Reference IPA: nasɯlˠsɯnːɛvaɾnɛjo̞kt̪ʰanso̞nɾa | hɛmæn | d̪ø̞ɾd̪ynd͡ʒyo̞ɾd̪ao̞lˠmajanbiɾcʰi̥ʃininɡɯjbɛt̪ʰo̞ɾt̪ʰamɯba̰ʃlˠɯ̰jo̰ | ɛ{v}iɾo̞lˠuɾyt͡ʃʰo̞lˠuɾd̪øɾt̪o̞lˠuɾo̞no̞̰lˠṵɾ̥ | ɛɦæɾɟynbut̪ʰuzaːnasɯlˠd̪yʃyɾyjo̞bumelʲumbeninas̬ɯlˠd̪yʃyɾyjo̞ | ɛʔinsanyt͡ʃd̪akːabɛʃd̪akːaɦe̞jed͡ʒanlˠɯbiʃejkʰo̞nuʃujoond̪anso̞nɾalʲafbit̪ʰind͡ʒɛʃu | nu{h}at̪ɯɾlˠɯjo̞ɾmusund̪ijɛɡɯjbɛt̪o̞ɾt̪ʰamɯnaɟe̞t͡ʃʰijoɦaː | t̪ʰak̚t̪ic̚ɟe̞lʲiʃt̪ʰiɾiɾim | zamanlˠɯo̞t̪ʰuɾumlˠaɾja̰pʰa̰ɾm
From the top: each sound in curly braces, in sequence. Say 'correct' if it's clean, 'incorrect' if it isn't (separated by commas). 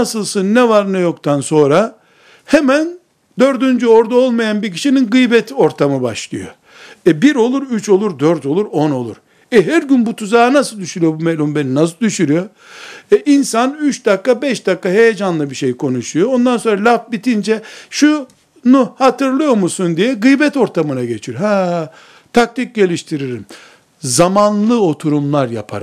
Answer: incorrect, correct